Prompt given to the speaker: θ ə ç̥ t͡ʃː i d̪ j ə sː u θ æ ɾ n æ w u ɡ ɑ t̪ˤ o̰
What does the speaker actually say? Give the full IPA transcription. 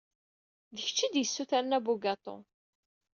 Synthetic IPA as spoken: ð ə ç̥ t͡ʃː i d̪ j ə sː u θ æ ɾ n æ b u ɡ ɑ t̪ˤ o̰

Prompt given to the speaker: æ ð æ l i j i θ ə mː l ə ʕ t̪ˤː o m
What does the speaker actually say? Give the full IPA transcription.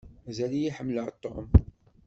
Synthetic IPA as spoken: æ z æ l i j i ħ ə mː l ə ʕ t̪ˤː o m

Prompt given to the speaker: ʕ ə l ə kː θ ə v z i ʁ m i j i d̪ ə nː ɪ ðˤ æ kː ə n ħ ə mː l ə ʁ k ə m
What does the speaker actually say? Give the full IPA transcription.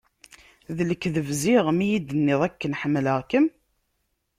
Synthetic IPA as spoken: ð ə l ə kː ð ə v z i ʁ m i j i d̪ ə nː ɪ ðˤ æ kː ə n ħ ə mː l ə ʁ k ə m

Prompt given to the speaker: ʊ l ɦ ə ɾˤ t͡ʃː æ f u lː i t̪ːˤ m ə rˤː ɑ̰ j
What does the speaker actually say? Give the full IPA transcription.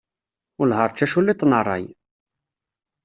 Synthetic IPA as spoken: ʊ l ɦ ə ɾˤ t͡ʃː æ ʃ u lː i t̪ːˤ n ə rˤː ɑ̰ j

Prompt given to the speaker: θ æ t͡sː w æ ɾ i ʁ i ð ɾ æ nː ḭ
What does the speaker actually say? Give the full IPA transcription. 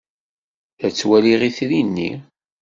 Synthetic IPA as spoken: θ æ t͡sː w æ l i ʁ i θ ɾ i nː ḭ

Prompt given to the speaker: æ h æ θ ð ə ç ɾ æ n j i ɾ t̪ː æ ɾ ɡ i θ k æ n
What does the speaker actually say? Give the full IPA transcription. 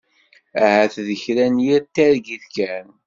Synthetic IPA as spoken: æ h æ θ ð ə ç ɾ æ n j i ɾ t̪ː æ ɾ ɡ i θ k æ n

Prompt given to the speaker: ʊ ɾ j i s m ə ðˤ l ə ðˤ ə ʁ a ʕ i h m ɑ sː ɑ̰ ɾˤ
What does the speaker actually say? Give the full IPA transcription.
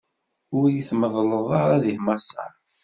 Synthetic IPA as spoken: ʊ ɾ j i θ m ə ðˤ l ə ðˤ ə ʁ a ð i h m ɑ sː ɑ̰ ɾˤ

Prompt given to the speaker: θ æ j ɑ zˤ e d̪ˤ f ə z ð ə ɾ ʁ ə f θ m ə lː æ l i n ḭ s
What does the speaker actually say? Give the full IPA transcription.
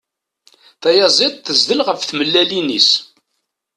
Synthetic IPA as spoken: θ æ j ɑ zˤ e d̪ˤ θ ə z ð ə l ʁ ə f θ m ə lː æ l i n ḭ s

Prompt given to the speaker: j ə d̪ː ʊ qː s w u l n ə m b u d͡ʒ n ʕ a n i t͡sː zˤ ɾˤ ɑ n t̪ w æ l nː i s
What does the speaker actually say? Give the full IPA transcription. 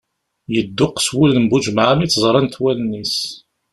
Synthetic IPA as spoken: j ə d̪ː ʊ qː s w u l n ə m b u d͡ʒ m ʕ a m i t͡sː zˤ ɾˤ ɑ n t̪ w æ l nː i s

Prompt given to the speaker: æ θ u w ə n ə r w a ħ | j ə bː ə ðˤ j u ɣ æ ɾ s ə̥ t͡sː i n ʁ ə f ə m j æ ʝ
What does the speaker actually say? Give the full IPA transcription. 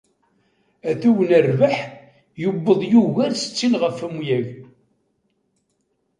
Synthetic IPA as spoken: æ θ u w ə n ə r v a ħ | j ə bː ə ðˤ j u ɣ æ ɾ s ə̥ t͡sː i n ʁ ə f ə m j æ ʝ

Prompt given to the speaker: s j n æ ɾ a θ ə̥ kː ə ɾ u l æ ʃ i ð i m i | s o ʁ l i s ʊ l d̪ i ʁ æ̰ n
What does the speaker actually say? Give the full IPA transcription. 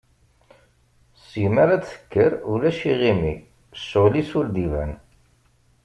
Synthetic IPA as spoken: s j m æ ɾ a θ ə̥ kː ə ɾ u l æ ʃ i ʁ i m i | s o ʁ l i s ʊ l d̪ i v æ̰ n

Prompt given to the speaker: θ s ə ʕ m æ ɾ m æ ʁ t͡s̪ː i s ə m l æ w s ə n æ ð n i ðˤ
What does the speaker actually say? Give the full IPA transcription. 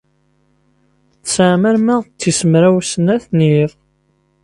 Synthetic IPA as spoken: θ s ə ʕ m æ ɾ m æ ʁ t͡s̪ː i s ə m ɾ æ w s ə n æ θ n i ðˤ

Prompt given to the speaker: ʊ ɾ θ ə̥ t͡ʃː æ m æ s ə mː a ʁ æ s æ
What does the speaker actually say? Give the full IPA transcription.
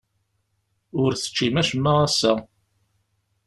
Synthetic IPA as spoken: ʊ ɾ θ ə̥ t͡ʃː i m æ ʃ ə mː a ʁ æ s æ

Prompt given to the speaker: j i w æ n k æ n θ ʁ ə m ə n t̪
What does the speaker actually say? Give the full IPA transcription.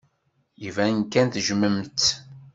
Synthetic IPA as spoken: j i v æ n k æ n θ ʒ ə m ə m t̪

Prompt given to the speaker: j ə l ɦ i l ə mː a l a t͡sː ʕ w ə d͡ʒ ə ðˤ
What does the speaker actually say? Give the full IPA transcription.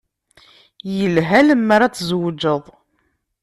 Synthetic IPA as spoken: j ə l ɦ æ l ə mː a ɾ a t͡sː z w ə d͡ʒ ə ðˤ

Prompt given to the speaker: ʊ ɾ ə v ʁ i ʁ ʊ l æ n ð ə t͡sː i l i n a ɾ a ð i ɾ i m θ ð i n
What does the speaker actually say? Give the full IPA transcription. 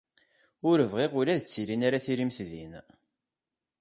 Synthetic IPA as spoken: ʊ ɾ ə v ʁ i ʁ ʊ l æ ð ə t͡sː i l i n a ɾ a θ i ɾ i m θ ð i n

